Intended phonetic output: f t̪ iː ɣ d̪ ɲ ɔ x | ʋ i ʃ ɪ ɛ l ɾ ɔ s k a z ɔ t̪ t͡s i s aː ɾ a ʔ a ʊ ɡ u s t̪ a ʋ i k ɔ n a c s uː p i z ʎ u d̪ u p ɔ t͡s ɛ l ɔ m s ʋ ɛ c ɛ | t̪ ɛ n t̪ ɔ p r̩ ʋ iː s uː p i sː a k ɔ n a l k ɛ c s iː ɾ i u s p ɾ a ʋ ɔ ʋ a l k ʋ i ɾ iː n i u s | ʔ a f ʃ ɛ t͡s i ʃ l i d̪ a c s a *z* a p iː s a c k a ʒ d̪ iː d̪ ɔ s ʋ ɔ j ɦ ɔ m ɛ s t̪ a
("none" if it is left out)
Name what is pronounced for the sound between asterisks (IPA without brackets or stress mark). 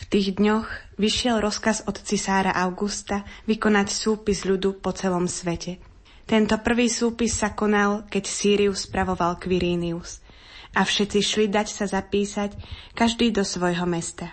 z